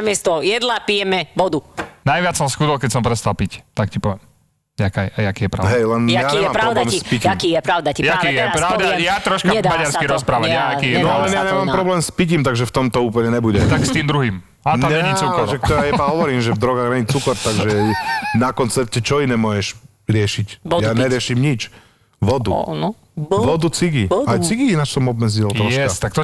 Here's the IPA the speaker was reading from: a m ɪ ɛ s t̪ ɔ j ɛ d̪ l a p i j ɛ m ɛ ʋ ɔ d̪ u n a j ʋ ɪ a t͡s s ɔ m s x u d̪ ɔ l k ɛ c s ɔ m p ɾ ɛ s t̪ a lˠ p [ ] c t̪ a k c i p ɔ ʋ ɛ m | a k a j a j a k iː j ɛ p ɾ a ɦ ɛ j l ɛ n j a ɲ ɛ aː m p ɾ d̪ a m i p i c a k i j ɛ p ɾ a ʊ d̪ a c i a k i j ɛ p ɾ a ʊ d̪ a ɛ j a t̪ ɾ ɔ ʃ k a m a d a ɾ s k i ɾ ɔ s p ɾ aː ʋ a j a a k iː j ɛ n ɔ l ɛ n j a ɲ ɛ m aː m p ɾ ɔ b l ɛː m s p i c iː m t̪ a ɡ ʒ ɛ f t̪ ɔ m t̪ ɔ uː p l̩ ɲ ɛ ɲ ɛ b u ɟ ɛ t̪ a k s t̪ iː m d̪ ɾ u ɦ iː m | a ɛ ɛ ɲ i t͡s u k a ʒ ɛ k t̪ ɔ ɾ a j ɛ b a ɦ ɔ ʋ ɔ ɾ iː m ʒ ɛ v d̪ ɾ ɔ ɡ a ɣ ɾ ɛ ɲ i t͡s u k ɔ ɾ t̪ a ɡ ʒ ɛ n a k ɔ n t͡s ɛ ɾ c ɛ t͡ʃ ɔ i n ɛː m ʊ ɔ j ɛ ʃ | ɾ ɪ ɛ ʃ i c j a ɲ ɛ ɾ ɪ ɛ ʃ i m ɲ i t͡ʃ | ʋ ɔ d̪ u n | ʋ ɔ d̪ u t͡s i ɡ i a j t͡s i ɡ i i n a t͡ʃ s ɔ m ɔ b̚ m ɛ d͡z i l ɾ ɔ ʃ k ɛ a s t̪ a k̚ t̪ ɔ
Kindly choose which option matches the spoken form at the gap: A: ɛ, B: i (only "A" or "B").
B